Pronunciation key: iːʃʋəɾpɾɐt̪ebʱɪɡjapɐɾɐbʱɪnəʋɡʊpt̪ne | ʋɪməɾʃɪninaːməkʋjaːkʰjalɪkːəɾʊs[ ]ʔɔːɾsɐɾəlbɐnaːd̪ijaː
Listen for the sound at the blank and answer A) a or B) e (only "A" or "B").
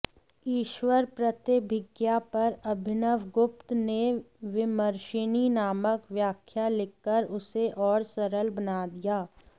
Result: B